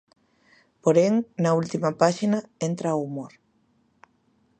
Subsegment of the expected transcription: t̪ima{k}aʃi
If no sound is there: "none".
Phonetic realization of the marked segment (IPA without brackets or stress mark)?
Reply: p